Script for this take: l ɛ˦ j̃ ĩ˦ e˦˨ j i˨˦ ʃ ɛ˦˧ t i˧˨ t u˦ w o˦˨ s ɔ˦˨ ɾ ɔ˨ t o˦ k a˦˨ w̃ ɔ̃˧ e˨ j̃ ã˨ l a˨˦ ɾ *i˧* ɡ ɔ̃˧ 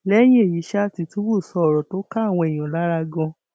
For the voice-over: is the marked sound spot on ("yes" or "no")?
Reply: no